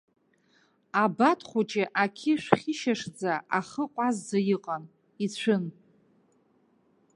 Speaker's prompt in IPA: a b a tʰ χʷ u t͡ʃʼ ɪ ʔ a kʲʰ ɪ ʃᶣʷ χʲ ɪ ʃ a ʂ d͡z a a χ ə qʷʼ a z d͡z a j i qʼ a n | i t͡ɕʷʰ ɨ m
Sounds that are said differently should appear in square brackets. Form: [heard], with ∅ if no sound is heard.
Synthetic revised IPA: a b a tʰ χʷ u t͡ʃʼ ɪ ʔ a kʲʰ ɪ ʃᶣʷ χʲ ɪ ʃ a ʂ d͡z a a χ ə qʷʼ a z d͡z a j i qʼ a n | i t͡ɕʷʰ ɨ [n]